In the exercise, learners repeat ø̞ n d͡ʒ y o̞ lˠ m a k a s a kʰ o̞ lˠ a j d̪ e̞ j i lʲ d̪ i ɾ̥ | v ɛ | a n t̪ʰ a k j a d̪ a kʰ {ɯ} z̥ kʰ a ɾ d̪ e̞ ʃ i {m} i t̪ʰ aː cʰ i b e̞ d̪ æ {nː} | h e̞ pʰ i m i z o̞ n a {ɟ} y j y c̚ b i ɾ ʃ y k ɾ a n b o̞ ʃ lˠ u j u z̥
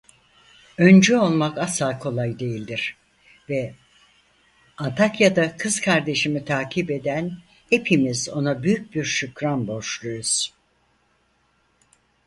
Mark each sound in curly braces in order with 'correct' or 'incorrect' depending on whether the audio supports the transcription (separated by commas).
correct, correct, incorrect, incorrect